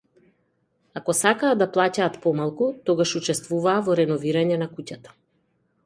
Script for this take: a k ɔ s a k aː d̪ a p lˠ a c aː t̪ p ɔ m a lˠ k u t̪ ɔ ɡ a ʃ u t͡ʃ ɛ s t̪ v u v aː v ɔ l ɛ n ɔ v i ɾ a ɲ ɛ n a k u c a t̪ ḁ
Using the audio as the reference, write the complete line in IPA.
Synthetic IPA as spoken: a k ɔ s a k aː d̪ a p lˠ a c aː t̪ p ɔ m a lˠ k u t̪ ɔ ɡ a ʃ u t͡ʃ ɛ s t̪ v u v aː v ɔ ɾ ɛ n ɔ v i ɾ a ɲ ɛ n a k u c a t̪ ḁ

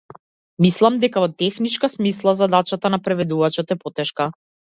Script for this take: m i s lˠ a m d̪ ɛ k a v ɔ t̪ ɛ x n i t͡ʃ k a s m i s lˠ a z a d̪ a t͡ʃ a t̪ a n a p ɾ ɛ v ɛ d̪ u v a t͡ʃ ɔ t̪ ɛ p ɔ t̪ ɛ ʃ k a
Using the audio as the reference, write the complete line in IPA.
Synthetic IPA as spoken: m i s lˠ a m d̪ ɛ k a v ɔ t̪ ɛ x n i t͡ʃ k a s m i s lˠ a z a d̪ a t͡ʃ a t̪ a n a p ɾ ɛ v ɛ d̪ u v a t͡ʃ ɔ t̪ ɛ p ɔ t̪ ɛ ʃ k a

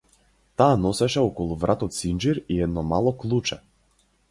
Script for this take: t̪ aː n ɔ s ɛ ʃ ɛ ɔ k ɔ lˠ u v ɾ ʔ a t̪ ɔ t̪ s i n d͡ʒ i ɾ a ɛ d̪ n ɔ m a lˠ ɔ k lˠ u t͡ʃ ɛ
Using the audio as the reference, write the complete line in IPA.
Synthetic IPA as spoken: t̪ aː n ɔ s ɛ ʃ ɛ ɔ k ɔ lˠ u v ɾ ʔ a t̪ ɔ t̪ s i n d͡ʒ i ɾ i ɛ d̪ n ɔ m a lˠ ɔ k lˠ u t͡ʃ ɛ

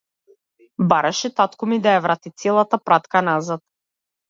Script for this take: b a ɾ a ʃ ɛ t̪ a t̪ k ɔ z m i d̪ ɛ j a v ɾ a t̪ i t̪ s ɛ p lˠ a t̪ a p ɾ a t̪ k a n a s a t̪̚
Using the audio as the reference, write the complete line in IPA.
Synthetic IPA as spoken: b a ɾ a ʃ ɛ t̪ a t̪ k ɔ m i d̪ a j a v ɾ a t̪ i t̪ s ɛ lˠ a t̪ a p ɾ a t̪ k a n a z a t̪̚

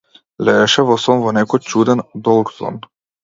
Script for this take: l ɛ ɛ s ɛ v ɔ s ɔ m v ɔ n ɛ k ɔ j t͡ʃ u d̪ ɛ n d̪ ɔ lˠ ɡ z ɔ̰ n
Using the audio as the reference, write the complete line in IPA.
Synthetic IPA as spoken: l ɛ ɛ ʃ ɛ v ɔ s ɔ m v ɔ n ɛ k ɔ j t͡ʃ u d̪ ɛ n d̪ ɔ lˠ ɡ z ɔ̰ n

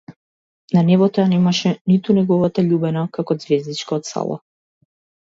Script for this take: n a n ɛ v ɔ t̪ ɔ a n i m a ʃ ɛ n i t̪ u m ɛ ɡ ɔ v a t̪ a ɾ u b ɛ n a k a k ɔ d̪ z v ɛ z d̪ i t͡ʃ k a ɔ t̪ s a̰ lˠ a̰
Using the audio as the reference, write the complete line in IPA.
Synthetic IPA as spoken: n a n ɛ v ɔ t̪ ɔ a n ɛ m a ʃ ɛ n i t̪ u n ɛ ɡ ɔ v a t̪ a ʎ u b ɛ n a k a k ɔ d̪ z v ɛ z d̪ i t͡ʃ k a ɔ t̪ s a̰ lˠ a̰

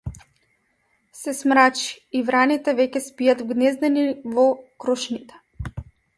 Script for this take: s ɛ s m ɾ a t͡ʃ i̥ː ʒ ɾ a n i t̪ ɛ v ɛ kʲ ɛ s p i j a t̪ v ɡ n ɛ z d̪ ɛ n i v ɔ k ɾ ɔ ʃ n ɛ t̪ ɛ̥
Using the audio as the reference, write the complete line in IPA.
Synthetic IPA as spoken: s ɛ s m ɾ a t͡ʃ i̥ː v ɾ a n i t̪ ɛ v ɛ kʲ ɛ s p i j a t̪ v ɡ n ɛ z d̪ ɛ n i v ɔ k ɾ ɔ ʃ n i t̪ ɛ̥

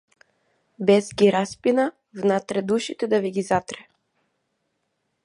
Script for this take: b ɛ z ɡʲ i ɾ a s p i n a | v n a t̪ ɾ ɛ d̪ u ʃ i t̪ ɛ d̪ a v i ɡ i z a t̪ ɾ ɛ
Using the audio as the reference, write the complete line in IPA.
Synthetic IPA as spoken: b ɛ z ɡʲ i ɾ a s p i n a | v n a t̪ ɾ ɛ d̪ u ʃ i t̪ ɛ d̪ a v i ɡ i z a t̪ ɾ ɛ

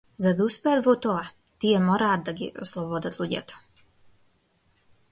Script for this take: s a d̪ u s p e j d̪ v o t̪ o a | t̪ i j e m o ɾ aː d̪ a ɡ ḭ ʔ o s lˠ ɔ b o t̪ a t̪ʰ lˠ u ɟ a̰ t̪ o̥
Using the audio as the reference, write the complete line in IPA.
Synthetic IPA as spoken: z a d̪ u s p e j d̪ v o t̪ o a | t̪ i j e m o ɾ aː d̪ a ɡ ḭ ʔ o s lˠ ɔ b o d̪ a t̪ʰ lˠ u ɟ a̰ t̪ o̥

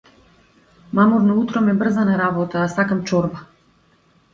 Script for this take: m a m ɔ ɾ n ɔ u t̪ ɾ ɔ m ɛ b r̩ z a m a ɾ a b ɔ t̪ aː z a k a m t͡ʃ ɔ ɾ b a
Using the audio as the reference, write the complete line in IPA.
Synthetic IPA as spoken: m a m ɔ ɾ n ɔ u t̪ ɾ ɔ m ɛ b r̩ z a n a ɾ a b ɔ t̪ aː s a k a m t͡ʃ ɔ ɾ b a

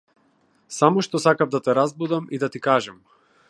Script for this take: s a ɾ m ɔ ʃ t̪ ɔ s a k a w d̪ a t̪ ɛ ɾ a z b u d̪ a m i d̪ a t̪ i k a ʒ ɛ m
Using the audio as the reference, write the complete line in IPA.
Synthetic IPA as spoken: s a m ɔ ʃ t̪ ɔ s a k a v d̪ a t̪ ɛ ɾ a z b u d̪ a m i d̪ a t̪ i k a ʒ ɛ m

